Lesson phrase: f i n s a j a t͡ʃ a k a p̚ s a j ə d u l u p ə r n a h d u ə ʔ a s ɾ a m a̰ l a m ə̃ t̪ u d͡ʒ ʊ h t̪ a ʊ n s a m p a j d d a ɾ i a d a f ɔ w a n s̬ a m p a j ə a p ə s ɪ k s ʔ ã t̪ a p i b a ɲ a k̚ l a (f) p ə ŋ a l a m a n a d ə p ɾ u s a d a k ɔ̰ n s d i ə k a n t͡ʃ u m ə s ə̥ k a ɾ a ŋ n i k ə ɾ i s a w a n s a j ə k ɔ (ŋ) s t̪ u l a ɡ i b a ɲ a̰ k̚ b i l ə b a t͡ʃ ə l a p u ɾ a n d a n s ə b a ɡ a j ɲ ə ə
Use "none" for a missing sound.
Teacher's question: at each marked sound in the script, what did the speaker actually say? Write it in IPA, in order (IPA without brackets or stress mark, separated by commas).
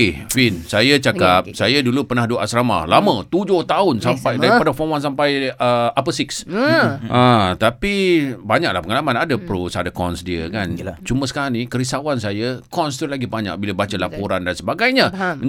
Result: h, n